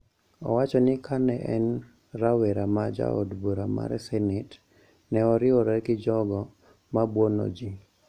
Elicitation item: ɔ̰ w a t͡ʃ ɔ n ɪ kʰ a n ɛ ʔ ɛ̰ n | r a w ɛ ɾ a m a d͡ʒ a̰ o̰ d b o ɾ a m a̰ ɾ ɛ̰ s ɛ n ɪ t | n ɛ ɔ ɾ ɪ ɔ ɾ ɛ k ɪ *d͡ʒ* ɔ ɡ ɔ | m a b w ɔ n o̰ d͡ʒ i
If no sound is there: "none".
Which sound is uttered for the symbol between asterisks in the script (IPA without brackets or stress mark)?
d͡ʒ